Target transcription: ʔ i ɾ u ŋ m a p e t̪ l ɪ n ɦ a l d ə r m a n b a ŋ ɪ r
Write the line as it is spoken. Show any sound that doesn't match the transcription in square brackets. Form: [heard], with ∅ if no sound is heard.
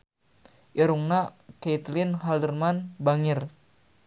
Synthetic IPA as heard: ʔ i ɾ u ŋ [n] a [k] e t̪ l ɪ n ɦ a l d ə r m a n b a ŋ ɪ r

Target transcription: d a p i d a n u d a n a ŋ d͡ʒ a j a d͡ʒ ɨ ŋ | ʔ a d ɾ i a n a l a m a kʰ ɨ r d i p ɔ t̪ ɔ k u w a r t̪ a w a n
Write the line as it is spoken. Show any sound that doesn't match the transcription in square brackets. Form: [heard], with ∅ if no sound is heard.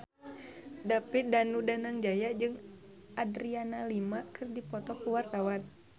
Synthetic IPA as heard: d a p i d a n u d a n a ŋ d͡ʒ a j a d͡ʒ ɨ ŋ | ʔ a d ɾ i a n a l [i] m a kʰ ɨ r d i p ɔ t̪ ɔ k u w a r t̪ a w a n

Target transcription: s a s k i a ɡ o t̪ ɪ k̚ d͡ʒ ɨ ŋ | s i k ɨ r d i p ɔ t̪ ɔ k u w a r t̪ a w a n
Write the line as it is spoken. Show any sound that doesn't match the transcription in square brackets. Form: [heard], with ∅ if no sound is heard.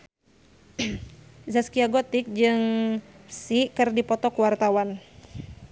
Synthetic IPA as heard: [z] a s k i a ɡ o t̪ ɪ k̚ d͡ʒ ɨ ŋ | s i k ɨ r d i p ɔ t̪ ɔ k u w a r t̪ a w a n

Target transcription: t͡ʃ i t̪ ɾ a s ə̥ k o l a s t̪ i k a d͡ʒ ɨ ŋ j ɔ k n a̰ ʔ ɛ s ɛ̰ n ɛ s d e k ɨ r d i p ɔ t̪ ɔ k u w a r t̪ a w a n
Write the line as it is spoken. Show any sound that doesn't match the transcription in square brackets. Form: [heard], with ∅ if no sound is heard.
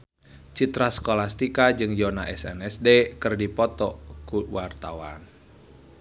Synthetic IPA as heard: t͡ʃ i t̪ ɾ a s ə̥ k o l a s t̪ i k a d͡ʒ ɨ ŋ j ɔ [∅] n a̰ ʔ ɛ s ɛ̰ n ɛ s d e k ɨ r d i p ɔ t̪ ɔ k u w a r t̪ a w a n

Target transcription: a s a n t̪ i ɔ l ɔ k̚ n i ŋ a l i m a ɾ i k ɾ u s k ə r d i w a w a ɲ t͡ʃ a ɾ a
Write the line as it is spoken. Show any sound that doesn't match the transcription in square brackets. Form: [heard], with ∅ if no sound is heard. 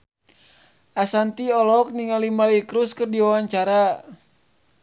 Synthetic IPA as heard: a s a n t̪ i ɔ l ɔ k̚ n i ŋ a l i m a [l] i k ɾ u s k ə r d i w a w a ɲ t͡ʃ a ɾ a

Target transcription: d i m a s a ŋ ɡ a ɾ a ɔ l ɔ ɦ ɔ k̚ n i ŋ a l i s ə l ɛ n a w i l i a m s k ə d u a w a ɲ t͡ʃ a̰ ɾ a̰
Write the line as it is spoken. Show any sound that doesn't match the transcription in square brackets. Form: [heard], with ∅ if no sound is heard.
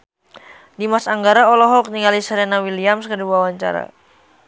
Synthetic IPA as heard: d i m a s a ŋ ɡ a ɾ a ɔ l ɔ ɦ ɔ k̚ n i ŋ a l i s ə [ɾ] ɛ n a w i l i a m s k ə d u a w a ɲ t͡ʃ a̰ ɾ a̰

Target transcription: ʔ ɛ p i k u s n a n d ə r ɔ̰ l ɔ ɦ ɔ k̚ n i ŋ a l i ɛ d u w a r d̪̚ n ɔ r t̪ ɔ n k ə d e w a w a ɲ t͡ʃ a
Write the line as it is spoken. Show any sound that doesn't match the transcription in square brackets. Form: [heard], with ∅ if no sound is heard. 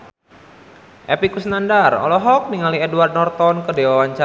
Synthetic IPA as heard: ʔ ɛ p i k u s n a n d [a] r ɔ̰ l ɔ ɦ ɔ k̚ n i ŋ a l i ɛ d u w a r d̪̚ n ɔ r t̪ ɔ n k ə d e w a w a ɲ t͡ʃ a

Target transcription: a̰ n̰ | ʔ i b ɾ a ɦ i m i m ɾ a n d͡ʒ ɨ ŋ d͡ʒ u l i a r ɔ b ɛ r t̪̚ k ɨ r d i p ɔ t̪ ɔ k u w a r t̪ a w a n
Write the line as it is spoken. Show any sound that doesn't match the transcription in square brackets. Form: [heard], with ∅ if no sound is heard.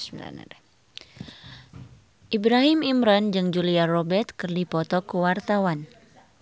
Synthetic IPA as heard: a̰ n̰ | ʔ i b ɾ a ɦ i m i m ɾ a n d͡ʒ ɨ ŋ d͡ʒ u l i a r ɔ b ɛ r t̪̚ k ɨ r d i p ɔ t̪ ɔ k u w a r t̪ a w a n

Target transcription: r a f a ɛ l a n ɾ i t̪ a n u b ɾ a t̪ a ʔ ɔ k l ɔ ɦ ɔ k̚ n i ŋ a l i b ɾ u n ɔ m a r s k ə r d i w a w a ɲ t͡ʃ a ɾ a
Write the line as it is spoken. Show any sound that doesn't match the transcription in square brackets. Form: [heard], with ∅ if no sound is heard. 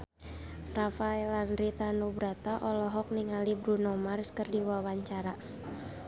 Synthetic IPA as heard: r a f a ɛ l a n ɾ i t̪ a n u b ɾ a t̪ a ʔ ɔ [∅] l ɔ ɦ ɔ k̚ n i ŋ a l i b ɾ u n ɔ m a r s k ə r d i w a w a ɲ t͡ʃ a ɾ a

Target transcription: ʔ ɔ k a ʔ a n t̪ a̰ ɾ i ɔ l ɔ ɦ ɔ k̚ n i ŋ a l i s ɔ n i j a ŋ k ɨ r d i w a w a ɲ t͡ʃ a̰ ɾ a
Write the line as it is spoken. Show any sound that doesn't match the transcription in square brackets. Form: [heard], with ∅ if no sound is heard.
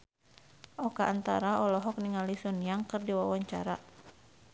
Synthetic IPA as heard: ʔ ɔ k a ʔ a n t̪ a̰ ɾ [a] ɔ l ɔ ɦ ɔ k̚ n i ŋ a l i s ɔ n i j a ŋ k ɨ r d i w a w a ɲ t͡ʃ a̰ ɾ a

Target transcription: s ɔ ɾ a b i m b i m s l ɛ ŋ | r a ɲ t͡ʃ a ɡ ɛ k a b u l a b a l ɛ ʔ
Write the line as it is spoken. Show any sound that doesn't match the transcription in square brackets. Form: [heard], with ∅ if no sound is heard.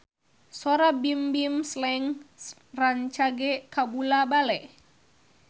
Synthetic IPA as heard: s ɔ ɾ a b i m b i m s l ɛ ŋ | r a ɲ t͡ʃ a ɡ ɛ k a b u l a b a l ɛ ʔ

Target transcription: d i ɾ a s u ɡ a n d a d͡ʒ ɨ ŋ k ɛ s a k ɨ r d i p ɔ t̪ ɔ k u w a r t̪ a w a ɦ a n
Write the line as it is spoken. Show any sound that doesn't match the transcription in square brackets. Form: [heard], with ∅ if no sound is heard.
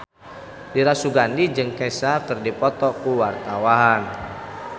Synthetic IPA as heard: d i ɾ a s u ɡ a n d [i] d͡ʒ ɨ ŋ k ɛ s a k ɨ r d i p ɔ t̪ ɔ k u w a r t̪ a w a ɦ a n

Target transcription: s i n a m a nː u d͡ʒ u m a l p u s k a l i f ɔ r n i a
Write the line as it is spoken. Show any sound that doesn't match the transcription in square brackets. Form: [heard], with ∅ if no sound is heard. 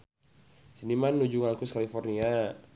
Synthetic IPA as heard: s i n [i] m a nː u d͡ʒ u [ŋ] a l [k] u s k a l i f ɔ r n i a

